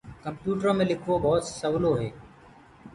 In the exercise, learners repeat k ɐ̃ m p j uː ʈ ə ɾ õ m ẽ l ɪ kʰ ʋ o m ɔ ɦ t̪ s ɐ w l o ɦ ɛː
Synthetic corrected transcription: k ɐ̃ m p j uː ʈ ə ɾ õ m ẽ l ɪ kʰ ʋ o b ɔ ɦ t̪ s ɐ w l o ɦ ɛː